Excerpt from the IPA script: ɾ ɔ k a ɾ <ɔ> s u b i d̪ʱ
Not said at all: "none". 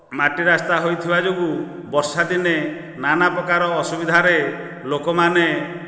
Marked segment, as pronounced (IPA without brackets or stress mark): ɔː